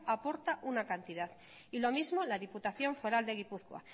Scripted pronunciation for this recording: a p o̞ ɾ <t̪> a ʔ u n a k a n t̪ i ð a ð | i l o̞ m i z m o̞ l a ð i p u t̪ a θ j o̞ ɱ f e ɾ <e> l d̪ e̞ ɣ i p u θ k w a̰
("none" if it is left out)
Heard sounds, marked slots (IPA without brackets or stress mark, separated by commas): t̪, a